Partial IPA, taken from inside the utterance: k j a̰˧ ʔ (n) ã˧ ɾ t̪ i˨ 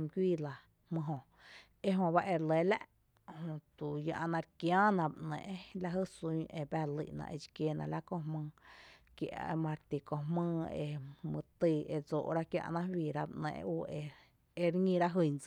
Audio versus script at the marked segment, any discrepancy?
yes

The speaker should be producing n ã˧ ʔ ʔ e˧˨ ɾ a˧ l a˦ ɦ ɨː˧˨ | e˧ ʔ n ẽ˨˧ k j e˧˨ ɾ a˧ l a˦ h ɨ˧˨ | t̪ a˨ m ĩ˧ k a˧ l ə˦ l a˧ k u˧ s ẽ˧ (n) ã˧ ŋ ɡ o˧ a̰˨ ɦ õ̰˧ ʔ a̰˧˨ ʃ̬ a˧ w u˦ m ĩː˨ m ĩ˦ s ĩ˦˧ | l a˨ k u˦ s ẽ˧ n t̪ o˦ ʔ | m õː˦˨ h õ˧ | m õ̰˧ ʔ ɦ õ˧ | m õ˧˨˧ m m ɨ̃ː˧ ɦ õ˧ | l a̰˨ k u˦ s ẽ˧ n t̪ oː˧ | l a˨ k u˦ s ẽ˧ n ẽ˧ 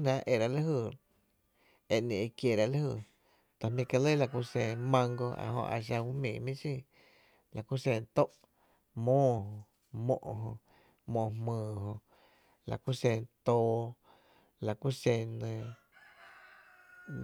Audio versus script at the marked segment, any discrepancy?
yes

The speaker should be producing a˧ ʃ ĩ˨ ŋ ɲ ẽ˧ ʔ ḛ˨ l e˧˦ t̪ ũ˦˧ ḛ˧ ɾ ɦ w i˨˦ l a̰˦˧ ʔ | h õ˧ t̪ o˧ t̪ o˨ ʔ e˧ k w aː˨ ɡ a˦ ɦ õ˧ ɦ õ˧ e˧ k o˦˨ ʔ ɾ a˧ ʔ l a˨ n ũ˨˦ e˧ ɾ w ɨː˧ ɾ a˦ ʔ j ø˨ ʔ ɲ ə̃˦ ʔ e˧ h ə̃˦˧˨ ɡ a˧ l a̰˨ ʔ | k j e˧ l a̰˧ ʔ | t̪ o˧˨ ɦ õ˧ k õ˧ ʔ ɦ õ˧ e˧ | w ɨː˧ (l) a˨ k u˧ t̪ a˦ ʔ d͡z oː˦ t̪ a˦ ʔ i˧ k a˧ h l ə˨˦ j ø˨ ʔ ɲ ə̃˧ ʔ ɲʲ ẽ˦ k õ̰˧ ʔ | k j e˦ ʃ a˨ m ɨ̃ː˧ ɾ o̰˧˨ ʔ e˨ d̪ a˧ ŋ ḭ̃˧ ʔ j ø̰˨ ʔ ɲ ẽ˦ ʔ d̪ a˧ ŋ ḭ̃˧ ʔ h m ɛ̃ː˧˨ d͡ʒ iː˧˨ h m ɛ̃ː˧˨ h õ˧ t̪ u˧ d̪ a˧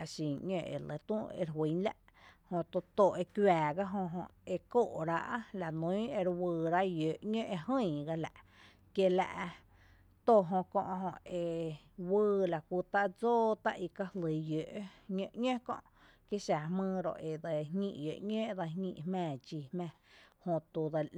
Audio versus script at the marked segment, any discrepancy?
no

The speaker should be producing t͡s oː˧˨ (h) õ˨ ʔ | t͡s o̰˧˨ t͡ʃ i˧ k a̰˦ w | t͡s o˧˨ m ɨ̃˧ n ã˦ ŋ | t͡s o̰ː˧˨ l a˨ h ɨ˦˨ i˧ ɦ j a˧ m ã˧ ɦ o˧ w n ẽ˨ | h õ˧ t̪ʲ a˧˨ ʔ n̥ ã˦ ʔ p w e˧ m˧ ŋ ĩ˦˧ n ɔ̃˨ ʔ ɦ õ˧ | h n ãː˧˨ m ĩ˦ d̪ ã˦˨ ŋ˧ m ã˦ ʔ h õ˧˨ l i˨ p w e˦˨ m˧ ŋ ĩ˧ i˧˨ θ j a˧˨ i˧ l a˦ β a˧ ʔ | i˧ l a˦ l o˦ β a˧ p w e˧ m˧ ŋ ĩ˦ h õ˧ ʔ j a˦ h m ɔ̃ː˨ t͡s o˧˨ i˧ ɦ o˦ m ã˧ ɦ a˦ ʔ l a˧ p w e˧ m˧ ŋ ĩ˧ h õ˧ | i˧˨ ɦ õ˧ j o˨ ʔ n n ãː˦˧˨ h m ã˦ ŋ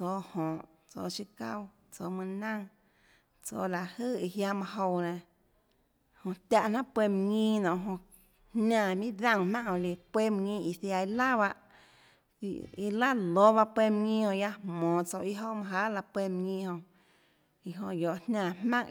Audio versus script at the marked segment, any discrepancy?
no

